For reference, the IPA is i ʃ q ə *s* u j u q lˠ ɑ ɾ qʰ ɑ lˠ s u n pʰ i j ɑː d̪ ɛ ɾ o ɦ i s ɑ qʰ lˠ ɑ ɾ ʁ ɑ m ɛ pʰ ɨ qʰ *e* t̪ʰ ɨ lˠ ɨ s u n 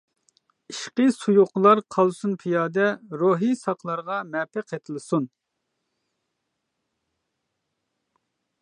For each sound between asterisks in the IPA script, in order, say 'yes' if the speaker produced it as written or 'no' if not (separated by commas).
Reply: yes, yes